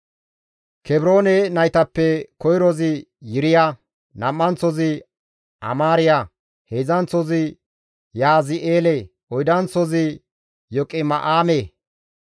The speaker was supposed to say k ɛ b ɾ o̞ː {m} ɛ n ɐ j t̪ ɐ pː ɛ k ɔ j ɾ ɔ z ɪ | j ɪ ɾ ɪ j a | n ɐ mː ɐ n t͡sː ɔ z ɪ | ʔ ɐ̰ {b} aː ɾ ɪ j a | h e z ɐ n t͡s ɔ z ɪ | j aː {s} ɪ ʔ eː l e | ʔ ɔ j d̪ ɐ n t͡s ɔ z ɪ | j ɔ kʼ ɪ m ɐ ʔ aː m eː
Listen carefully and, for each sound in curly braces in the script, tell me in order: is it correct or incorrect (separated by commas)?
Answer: incorrect, incorrect, incorrect